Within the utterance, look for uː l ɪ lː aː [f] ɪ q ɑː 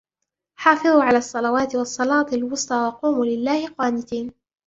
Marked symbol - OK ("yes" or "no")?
no